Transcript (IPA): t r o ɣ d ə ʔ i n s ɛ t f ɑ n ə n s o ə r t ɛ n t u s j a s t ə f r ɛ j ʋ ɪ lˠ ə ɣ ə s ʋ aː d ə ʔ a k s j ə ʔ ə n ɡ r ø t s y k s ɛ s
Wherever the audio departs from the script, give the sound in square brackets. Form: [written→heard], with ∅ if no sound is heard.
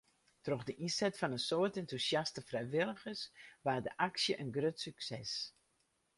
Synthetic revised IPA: t r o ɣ d ə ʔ i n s ɛ t f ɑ n ə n s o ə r t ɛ n t u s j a s t ə f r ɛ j ʋ ɪ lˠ ə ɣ ə s ʋ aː d ə ʔ a k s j ə ʔ ə n ɡ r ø t s y k s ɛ s